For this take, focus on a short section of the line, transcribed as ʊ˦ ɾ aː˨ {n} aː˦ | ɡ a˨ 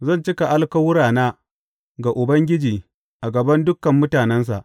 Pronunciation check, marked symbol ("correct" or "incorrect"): correct